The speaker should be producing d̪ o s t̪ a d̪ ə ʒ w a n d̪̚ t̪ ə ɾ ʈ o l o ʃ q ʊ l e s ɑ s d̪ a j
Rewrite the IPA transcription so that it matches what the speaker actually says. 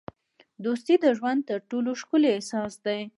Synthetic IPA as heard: d̪ o s t̪ i d̪ ə ʒ w a n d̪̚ t̪ ə ɾ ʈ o l o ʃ k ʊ l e s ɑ s d̪ a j